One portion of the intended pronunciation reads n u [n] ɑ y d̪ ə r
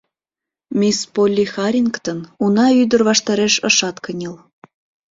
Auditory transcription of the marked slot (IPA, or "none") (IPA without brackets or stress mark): n